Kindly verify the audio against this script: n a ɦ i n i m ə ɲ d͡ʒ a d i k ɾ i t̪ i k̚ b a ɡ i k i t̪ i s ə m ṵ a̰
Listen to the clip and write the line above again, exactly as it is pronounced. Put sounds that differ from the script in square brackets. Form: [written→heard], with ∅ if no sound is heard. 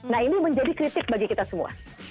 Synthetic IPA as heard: n a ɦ i n i m ə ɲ d͡ʒ a d i k ɾ i t̪ [i→ɪ] k̚ b a ɡ i k i t̪ [i→a] s ə m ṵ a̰